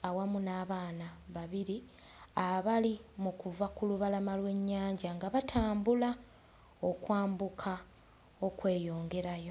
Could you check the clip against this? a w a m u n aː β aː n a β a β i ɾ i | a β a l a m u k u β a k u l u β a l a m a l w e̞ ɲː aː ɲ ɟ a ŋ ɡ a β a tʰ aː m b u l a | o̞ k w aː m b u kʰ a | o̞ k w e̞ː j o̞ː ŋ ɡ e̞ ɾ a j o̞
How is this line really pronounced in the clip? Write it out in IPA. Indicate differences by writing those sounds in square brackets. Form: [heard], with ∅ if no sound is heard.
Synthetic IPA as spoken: a w a m u n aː β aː n a β a β i ɾ i | a β a l [i] m u k u [v] a k u l u β a l a m a l w e̞ ɲː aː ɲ ɟ a ŋ ɡ a β a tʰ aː m b u l a | o̞ k w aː m b u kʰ a | o̞ k w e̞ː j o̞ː ŋ ɡ e̞ ɾ a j o̞